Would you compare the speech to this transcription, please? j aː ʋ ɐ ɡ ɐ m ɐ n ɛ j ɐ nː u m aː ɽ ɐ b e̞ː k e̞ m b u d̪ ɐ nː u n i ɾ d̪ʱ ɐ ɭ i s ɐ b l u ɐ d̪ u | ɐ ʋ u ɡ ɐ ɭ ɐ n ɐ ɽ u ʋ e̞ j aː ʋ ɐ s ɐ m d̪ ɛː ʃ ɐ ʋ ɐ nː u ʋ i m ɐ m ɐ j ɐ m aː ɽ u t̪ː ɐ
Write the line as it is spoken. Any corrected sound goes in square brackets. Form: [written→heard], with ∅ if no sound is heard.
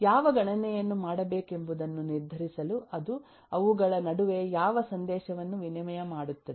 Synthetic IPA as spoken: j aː ʋ ɐ ɡ ɐ [m→ɳ] ɐ n ɛ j ɐ nː u m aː ɽ ɐ b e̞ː k e̞ m b u d̪ ɐ nː u n i ɾ d̪ʱ ɐ [ɭ→ɾ] i s ɐ [b→∅] l u ɐ d̪ u | ɐ ʋ u ɡ ɐ ɭ ɐ n ɐ ɽ u ʋ e̞ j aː ʋ ɐ s ɐ [m→n] d̪ ɛː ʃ ɐ ʋ ɐ nː u ʋ i [m→n] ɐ m ɐ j ɐ m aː ɽ u t̪ː ɐ